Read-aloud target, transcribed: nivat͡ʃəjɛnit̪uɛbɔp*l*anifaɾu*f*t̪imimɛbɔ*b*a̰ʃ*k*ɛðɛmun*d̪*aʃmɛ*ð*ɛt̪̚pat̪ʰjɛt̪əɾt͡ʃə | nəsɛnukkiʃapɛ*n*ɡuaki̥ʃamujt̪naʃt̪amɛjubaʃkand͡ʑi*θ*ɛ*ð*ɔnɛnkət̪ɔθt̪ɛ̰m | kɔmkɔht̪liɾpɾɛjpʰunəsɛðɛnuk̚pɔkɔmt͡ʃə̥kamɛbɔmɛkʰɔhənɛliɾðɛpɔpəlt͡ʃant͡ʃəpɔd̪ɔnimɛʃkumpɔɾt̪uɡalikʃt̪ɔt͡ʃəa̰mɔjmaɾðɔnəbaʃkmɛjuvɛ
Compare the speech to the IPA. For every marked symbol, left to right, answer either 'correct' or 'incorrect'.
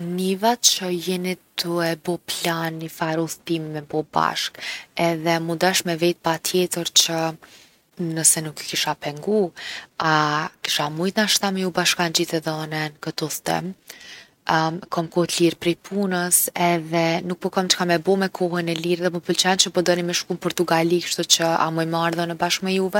correct, incorrect: θ, correct, correct, correct, incorrect: v, incorrect: ŋ, correct, correct

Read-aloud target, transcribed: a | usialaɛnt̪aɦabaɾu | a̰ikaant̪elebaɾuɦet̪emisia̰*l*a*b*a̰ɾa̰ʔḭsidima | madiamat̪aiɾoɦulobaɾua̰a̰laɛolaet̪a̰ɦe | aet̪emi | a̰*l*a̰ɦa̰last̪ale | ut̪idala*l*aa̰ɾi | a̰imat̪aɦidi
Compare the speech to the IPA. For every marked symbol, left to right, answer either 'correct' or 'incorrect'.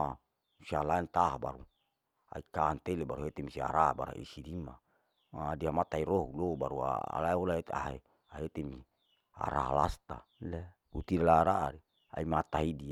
incorrect: ɾ, correct, incorrect: ɾ, incorrect: ɾ

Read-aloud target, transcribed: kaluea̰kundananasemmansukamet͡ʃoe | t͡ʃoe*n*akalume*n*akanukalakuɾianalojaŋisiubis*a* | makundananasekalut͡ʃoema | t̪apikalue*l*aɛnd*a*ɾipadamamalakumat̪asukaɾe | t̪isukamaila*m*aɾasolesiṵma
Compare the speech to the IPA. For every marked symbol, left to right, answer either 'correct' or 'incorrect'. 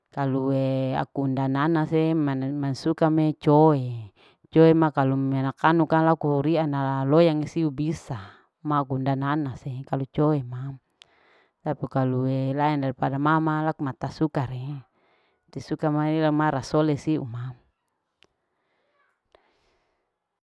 incorrect: m, correct, correct, correct, correct, correct

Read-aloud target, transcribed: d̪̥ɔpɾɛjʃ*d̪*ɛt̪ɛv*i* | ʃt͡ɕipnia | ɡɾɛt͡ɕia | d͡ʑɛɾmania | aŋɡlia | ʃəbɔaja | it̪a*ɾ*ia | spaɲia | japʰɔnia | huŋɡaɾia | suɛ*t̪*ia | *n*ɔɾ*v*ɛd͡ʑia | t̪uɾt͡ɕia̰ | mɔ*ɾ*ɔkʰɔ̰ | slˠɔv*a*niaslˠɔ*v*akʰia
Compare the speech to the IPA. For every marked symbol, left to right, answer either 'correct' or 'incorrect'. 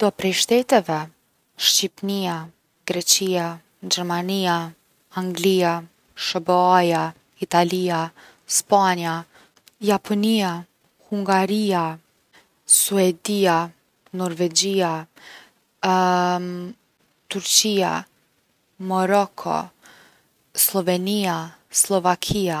incorrect: t̪, incorrect: ɛ, incorrect: l, incorrect: d̪, correct, correct, correct, incorrect: ɛ, correct

